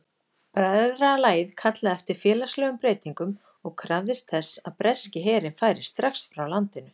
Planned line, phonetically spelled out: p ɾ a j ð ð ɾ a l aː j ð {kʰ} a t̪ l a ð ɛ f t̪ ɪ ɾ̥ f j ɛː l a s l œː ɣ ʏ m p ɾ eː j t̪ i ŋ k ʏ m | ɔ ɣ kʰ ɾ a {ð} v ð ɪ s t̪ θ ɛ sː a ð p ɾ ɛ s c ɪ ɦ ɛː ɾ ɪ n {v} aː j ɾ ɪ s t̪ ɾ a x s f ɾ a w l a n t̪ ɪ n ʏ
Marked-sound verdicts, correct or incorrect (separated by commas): correct, incorrect, incorrect